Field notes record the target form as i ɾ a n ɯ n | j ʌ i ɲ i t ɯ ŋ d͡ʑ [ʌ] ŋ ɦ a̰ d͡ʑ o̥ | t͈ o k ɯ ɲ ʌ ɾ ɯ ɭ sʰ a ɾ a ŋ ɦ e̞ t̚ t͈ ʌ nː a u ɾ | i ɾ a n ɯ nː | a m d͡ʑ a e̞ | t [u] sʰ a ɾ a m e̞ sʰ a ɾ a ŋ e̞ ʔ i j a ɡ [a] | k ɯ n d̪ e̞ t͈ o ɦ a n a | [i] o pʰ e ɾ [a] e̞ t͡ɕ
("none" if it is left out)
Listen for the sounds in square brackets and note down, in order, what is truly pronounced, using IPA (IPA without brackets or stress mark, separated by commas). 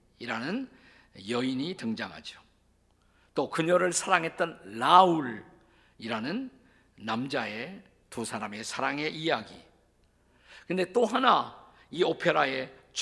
a, u, i, i, a